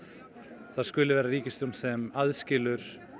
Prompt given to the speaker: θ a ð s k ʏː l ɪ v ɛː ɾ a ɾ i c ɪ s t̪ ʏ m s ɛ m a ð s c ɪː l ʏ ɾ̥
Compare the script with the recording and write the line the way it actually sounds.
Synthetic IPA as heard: θ a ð s k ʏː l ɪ v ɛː ɾ a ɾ iː c ɪ s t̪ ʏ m s ɛ m a ð s c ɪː l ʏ ɾ̥